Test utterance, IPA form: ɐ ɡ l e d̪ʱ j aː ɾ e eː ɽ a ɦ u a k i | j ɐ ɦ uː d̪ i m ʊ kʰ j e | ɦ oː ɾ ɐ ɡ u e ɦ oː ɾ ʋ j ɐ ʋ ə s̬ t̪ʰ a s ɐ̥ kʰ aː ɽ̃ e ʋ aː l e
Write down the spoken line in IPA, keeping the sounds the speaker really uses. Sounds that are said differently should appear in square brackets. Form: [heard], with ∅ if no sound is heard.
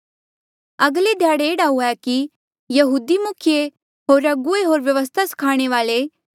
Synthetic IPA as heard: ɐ ɡ l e d̪ʱ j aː [ɽ] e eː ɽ a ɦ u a k i | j ɐ ɦ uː d̪ i m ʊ kʰ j e | ɦ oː ɾ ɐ ɡ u e ɦ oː ɾ ʋ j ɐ ʋ ə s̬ t̪ʰ a s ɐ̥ kʰ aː ɽ̃ e ʋ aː l e